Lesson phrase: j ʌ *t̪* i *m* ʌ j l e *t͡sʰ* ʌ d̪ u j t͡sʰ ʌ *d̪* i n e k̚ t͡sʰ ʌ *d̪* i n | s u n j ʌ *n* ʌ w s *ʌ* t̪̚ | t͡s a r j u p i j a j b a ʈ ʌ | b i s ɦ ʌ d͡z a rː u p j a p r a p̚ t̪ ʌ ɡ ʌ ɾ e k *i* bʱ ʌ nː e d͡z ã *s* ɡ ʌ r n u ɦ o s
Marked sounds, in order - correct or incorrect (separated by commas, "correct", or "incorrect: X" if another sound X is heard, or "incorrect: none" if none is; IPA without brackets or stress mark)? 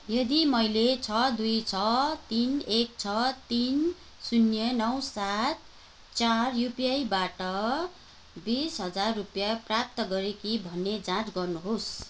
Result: incorrect: d̪, correct, correct, incorrect: t̪, incorrect: t̪, correct, incorrect: a, correct, incorrect: t͡s